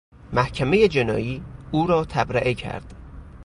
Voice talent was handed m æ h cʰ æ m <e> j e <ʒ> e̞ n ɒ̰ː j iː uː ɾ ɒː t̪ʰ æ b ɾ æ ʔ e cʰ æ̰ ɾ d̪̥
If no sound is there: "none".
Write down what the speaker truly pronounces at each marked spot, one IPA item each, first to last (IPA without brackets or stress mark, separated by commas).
e, d͡ʒ